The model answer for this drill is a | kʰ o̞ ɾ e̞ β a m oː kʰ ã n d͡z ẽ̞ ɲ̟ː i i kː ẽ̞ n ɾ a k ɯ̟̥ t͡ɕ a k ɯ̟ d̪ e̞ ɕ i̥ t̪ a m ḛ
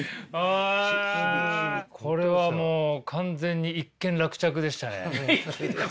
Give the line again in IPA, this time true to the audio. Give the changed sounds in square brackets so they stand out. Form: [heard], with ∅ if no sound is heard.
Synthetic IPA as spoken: a | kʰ o̞ ɾ e̞ β a m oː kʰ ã n d͡z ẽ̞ ɲ̟ː i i kː ẽ̞ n ɾ a k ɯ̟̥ t͡ɕ a k ɯ̟ d̪ e̞ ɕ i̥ t̪ a [n] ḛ

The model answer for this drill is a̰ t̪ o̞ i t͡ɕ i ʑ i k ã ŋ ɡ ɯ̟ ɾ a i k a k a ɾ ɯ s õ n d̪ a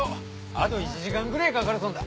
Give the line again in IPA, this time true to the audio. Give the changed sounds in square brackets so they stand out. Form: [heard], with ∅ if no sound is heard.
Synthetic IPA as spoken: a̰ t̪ o̞ i t͡ɕ i ʑ i k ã ŋ ɡ ɯ̟ ɾ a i k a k a ɾ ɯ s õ n d̪ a

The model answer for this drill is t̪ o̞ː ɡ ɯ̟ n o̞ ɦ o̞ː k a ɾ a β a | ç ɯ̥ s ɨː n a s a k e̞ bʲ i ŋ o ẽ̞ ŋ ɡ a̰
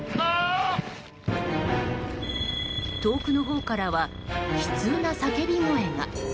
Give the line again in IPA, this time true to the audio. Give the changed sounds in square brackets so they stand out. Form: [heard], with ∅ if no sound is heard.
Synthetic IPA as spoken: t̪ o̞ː [k] ɯ̟ n o̞ ɦ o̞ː k a ɾ a β a | ç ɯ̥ [t͡s] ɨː n a s a k e̞ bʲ i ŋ o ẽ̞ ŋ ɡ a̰

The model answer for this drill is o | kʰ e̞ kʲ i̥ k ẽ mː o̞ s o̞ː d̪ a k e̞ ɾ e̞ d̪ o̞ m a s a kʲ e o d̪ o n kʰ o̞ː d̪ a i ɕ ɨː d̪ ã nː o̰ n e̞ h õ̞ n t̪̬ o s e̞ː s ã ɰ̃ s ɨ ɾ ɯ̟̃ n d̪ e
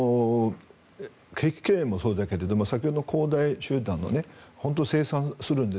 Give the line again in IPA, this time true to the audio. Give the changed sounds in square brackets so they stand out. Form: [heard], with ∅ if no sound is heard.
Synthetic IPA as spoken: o | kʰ e̞ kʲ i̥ k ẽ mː o̞ s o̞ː d̪ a k e̞ ɾ e̞ d̪ o̞ m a s a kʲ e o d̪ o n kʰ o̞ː d̪ a i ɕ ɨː d̪ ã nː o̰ n e̞ h õ̞ n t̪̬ o s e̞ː s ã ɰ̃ s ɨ ɾ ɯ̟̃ n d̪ e

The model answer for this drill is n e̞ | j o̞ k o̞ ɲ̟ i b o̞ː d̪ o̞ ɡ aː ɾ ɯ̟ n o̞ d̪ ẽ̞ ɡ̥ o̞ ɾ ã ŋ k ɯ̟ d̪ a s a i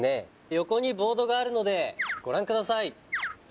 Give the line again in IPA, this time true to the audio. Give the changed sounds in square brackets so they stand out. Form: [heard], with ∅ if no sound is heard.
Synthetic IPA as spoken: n e̞ | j o̞ k o̞ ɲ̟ i b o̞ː d̪ o̞ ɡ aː ɾ ɯ̟ n o̞ d̪ [e̞] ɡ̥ o̞ ɾ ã ŋ k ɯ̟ d̪ a s a i

